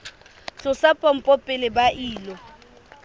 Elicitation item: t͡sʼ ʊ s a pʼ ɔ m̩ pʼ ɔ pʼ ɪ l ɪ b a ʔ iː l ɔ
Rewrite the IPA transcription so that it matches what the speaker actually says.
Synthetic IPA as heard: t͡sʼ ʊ s a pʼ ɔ m̩ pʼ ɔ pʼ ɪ l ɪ b a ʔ iː l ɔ